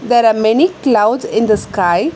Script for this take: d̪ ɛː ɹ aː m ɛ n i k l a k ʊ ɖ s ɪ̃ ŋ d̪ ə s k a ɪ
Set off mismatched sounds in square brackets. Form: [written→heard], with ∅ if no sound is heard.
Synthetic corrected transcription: d̪ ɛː [ɹ→ɾ] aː m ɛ n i k l a [k→∅] ʊ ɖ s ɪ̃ [ŋ→n] d̪ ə s k a ɪ

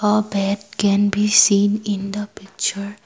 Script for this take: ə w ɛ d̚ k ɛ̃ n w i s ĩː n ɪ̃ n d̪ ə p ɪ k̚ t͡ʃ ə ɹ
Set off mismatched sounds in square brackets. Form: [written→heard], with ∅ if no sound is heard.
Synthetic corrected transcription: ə [w→b] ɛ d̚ k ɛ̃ n [w→b] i s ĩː n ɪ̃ n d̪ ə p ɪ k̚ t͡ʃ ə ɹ

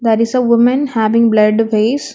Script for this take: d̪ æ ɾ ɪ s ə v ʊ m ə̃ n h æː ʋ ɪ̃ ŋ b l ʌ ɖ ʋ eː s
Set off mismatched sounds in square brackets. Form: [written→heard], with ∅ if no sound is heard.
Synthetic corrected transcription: d̪ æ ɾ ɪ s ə [v→ʋ] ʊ m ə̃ n h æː ʋ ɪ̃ ŋ b l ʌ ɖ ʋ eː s

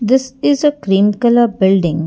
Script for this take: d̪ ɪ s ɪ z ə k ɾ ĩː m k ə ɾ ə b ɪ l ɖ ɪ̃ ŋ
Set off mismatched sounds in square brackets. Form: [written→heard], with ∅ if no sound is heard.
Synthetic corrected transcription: d̪ ɪ s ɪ z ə k ɾ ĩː m k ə [ɾ→l] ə b ɪ l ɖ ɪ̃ ŋ

